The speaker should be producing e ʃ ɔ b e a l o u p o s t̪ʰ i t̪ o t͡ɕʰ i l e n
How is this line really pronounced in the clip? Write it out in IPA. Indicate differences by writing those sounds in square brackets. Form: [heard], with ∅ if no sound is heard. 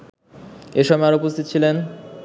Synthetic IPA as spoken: e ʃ ɔ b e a [ɾ] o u p o s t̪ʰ i t̪ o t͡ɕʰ i l e n